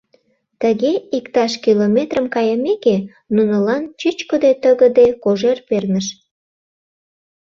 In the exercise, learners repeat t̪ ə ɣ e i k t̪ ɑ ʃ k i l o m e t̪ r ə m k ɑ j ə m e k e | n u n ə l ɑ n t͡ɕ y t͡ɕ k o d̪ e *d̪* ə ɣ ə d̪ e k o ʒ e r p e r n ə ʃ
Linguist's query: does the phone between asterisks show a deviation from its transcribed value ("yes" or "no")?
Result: yes